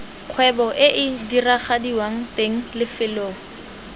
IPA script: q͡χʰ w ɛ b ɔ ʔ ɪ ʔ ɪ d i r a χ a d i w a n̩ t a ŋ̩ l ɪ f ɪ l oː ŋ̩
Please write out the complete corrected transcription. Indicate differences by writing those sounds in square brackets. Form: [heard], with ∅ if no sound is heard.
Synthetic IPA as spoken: q͡χʰ w ɛ b ɔ ʔ ɪ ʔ ɪ d i r a χ a d i w a [ŋ̩] t [e] ŋ̩ l ɪ f ɪ l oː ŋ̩